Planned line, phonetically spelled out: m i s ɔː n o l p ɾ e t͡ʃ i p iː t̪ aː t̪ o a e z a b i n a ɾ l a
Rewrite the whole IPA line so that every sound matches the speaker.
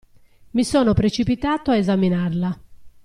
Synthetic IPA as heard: m i s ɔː n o p ɾ e t͡ʃ i p i t̪ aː t̪ o a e z a m i n a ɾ l a